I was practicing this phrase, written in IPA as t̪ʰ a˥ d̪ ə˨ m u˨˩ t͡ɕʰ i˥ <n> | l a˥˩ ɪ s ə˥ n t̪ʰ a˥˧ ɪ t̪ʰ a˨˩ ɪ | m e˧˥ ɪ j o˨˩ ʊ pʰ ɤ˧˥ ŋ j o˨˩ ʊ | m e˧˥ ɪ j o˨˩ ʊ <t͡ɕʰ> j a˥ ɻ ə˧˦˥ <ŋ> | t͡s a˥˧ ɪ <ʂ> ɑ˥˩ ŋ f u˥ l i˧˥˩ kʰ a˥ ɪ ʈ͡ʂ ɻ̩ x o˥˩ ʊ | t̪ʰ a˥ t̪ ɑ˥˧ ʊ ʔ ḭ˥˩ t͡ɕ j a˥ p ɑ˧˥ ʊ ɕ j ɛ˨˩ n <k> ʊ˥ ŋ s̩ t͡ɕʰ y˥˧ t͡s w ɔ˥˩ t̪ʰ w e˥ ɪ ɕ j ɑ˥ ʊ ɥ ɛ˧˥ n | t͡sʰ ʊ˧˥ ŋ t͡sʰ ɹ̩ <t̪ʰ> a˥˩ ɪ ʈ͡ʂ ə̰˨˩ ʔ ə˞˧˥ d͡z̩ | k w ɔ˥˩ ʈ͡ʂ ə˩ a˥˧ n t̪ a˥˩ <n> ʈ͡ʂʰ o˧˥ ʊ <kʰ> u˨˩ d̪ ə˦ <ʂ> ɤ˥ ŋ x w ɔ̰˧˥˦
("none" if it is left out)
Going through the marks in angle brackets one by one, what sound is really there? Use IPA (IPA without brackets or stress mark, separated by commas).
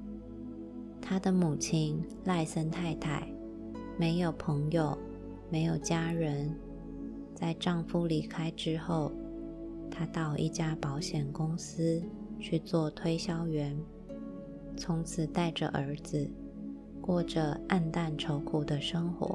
n, t͡ɕ, n, ʈ͡ʂ, k, t̪, n, kʰ, ʂ